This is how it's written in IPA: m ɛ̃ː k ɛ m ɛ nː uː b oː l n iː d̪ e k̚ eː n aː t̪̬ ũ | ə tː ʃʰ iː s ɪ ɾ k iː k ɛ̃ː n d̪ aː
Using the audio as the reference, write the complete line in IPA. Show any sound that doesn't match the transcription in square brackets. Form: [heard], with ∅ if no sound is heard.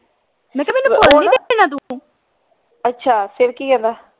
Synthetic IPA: m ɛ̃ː k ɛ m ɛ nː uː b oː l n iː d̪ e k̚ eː n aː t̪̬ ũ | ə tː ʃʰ [aː] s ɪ ɾ k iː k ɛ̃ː n d̪ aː

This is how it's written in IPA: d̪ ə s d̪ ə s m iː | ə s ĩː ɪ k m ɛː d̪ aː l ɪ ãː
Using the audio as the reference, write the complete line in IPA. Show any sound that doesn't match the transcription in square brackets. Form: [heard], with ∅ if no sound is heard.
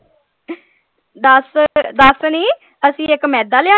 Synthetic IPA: d̪ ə s d̪ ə s [n] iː | ə s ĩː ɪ k m ɛː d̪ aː l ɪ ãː

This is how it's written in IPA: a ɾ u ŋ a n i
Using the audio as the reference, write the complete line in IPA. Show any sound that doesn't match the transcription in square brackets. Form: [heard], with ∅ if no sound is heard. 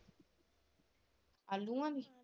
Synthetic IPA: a [l] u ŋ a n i

